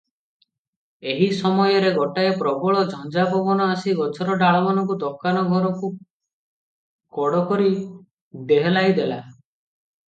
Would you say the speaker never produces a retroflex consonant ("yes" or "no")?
no